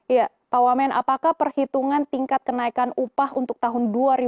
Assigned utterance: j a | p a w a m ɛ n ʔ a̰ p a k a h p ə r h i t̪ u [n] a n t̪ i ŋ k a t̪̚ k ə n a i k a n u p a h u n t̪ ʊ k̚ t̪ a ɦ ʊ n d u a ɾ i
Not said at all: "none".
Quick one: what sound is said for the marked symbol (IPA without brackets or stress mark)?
ŋ